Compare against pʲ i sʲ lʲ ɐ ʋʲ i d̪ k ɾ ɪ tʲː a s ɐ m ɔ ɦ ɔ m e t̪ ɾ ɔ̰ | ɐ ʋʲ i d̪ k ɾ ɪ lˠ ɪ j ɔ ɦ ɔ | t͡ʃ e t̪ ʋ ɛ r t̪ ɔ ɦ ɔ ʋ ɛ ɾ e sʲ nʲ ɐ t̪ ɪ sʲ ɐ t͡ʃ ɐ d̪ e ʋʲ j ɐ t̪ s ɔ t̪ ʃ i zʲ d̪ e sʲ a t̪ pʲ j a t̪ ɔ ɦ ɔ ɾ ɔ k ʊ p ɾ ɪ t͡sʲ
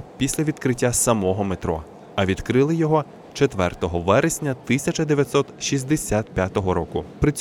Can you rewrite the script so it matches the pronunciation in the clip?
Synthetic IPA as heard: pʲ i sʲ lʲ ɐ ʋʲ i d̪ k ɾ ɪ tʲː a s ɐ m ɔ ɦ ɔ m e t̪ ɾ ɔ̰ | ɐ ʋʲ i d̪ k ɾ ɪ lˠ ɪ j ɔ ɦ ɔ | t͡ʃ e t̪ ʋ ɛ r t̪ ɔ ɦ ɔ ʋ ɛ ɾ e sʲ nʲ ɐ t̪ ɪ sʲ ɐ t͡ʃ ɐ d̪ e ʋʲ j ɐ t̪ s ɔ t̪ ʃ i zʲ d̪ e sʲ a t̪ pʲ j a t̪ ɔ ɦ ɔ ɾ ɔ k ʊ p ɾ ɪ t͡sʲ